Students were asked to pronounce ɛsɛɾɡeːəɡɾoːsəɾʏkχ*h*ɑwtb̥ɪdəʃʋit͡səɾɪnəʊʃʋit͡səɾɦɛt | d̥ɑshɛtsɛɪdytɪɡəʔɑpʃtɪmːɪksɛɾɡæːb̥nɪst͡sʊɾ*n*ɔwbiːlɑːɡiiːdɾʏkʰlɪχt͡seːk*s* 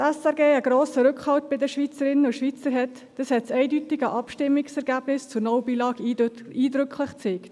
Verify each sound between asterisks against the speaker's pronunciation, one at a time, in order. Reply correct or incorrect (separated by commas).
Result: correct, correct, incorrect